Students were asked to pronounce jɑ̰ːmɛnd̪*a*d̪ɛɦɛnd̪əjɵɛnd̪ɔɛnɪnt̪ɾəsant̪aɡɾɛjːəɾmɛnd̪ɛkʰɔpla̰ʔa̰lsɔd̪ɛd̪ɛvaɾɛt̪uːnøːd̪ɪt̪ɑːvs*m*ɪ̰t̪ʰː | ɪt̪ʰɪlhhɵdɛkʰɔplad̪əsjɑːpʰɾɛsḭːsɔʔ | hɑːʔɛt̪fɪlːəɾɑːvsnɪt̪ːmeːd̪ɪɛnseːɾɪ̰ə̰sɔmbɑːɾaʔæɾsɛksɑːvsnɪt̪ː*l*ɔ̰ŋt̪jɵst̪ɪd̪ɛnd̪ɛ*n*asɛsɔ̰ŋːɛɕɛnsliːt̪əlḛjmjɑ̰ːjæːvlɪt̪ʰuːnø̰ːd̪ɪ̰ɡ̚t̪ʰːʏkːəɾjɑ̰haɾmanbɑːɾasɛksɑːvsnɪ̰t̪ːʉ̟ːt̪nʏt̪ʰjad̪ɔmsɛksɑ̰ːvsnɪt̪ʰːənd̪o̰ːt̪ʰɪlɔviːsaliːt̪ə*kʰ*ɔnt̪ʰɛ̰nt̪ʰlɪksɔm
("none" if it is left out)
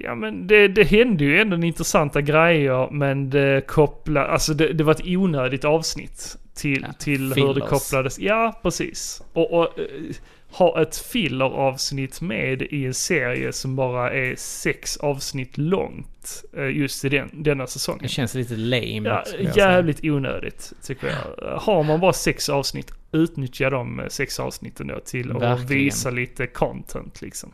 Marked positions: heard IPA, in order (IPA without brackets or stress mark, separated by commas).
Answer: ɛ, n, l, nː, kʰ